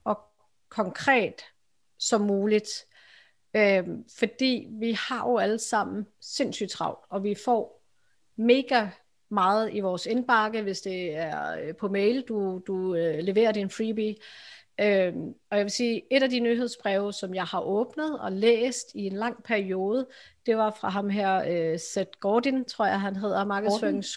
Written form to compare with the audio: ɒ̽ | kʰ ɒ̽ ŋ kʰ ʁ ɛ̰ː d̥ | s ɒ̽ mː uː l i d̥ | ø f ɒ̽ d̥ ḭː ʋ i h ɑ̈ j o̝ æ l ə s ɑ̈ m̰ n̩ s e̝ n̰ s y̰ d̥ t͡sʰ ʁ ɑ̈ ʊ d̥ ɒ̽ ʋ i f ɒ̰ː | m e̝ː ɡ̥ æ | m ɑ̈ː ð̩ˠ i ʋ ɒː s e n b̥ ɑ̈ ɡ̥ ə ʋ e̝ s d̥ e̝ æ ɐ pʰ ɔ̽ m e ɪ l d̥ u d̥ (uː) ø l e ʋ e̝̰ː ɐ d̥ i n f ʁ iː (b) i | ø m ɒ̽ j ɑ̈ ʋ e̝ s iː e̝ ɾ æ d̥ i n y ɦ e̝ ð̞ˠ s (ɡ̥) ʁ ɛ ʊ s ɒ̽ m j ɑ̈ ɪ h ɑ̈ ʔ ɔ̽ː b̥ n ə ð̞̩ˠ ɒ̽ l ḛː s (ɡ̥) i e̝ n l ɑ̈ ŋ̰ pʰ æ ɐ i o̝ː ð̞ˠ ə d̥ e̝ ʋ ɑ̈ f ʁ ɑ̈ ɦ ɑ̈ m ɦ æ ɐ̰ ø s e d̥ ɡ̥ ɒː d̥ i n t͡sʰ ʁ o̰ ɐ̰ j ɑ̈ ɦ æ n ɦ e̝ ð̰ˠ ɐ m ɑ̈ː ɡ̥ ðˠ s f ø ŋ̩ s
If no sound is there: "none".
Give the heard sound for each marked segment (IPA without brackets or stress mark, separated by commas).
u, b, b̥, d̥